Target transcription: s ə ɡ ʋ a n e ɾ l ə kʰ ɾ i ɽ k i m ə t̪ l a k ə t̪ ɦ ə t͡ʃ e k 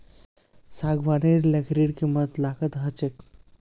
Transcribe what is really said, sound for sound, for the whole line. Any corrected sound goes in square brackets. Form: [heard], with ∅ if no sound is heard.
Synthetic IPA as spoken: s [a] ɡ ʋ a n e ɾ l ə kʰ ɾ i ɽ k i m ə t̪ l a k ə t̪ ɦ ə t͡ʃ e k